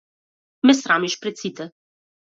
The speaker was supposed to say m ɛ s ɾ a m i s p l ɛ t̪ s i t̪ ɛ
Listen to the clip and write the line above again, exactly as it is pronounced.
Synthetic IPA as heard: m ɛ s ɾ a m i ʃ p ɾ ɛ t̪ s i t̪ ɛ

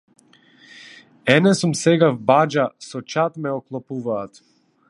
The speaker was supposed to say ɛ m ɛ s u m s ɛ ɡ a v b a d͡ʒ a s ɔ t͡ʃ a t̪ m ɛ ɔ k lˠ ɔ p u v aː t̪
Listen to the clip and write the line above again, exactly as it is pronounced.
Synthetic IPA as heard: ɛ n ɛ s u m s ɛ ɡ a v b a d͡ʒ a s ɔ t͡ʃ a t̪ m ɛ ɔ k lˠ ɔ p u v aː t̪

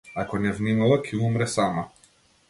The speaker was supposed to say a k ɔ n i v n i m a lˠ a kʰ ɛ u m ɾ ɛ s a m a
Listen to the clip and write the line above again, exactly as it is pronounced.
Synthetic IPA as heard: a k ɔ n ɛ v n i m a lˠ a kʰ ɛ u m ɾ ɛ s a m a

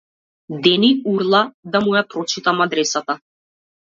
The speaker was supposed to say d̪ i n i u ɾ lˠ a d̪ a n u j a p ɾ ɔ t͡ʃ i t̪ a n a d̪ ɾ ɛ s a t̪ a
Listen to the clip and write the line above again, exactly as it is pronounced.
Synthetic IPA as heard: d̪ ɛ n i u ɾ lˠ a d̪ a m u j a p ɾ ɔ t͡ʃ i t̪ a m a d̪ ɾ ɛ s a t̪ a

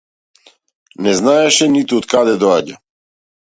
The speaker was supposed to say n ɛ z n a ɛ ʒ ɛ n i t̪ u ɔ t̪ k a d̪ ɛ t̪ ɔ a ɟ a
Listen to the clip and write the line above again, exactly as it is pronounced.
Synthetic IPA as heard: n ɛ z n a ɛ ʃ ɛ n i t̪ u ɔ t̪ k a d̪ ɛ d̪ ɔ a ɟ a

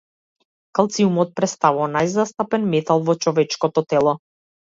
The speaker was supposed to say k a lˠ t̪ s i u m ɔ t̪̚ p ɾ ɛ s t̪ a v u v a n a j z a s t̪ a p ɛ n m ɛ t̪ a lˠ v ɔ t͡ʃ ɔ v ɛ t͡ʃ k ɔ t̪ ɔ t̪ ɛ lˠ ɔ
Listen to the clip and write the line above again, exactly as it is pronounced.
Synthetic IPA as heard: k a lˠ t̪ s i u m ɔ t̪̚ p ɾ ɛ s t̪ a v u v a n a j z a s t̪ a p ɛ n m ɛ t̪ a lˠ v ɔ t͡ʃ ɔ v ɛ t͡ʃ k ɔ t̪ ɔ t̪ ɛ lˠ ɔ

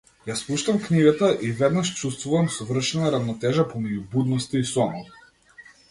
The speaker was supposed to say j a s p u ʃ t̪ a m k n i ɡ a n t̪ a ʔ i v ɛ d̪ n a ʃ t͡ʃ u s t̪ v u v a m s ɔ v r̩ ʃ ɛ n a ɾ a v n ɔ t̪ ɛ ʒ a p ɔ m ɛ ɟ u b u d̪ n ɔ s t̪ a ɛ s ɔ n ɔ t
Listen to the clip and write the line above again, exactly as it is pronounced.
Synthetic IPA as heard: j a s p u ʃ t̪ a m k n i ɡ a t̪ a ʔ i v ɛ d̪ n a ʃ t͡ʃ u s t̪ v u v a m s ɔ v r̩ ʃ ɛ n a ɾ a v n ɔ t̪ ɛ ʒ a p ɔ m ɛ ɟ u b u d̪ n ɔ s t̪ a i s ɔ n ɔ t

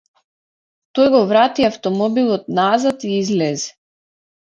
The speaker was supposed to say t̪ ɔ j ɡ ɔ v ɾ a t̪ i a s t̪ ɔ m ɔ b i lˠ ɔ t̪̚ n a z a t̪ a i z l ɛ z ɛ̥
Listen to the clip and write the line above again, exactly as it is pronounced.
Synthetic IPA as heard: t̪ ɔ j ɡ ɔ v ɾ a t̪ i a f t̪ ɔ m ɔ b i lˠ ɔ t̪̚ n a z a t̪ i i z l ɛ z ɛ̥

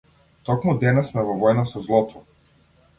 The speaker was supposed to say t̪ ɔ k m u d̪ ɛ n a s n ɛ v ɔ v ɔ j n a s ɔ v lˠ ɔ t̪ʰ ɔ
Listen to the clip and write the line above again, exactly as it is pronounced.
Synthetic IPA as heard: t̪ ɔ k m u d̪ ɛ n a s m ɛ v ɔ v ɔ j n a s ɔ z lˠ ɔ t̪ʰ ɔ

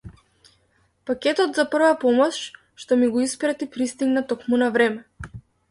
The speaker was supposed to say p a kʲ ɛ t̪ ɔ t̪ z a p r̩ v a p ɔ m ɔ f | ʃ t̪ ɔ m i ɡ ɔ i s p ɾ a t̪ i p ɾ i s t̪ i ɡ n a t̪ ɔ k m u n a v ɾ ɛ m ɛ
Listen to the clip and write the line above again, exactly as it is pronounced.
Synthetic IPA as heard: p a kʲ ɛ t̪ ɔ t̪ z a p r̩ v a p ɔ m ɔ ʃ | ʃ t̪ ɔ m i ɡ ɔ i s p ɾ a t̪ i p ɾ i s t̪ i ɡ n a t̪ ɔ k m u n a v ɾ ɛ m ɛ

